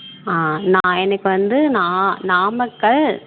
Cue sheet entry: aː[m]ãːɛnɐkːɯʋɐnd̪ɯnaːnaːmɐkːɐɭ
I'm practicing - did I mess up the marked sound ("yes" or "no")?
yes